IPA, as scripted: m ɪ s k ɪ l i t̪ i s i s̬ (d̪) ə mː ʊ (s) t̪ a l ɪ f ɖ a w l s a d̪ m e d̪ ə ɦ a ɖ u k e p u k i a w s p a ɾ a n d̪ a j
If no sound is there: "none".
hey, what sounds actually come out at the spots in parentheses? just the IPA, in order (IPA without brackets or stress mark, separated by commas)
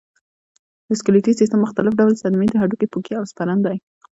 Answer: t̪, x